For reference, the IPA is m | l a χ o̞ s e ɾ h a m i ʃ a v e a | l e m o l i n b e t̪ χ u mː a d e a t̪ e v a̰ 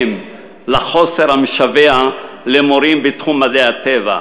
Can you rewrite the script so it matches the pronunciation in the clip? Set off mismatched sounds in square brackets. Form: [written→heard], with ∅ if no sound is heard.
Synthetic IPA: m | l a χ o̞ s e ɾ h a m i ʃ a v e a | l e m o [l→ɾ] i [n→m] b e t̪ χ u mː a d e a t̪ e v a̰